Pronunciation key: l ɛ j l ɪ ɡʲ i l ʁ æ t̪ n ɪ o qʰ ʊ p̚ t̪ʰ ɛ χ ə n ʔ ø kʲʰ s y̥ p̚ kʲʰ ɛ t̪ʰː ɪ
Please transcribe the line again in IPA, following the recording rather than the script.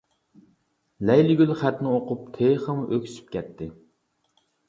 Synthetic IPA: l ɛ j l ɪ ɡʲ y l χ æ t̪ n ɪ o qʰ ʊ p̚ t̪ʰ e χ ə m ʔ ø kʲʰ s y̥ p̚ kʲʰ ɛ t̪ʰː ɪ